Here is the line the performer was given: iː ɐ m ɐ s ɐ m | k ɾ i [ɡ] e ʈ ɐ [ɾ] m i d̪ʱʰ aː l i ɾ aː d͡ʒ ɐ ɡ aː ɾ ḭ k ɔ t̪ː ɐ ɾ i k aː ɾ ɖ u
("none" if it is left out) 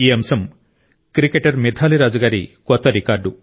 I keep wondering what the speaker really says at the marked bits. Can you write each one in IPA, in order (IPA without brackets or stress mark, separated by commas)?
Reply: k, ɾ